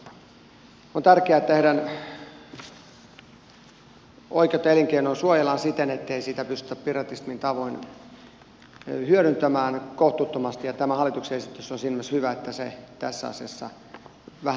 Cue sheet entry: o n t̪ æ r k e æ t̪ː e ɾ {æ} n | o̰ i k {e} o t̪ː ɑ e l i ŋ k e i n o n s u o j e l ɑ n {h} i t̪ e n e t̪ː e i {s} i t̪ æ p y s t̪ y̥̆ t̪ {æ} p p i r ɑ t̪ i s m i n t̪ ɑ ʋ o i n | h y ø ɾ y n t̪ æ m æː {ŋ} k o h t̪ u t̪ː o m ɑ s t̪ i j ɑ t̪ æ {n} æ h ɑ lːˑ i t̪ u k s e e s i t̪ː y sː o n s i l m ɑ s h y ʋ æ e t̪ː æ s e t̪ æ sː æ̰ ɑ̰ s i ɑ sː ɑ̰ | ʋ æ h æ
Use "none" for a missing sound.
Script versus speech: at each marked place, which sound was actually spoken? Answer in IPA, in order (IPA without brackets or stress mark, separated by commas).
æ, e, s, s, æ, n, m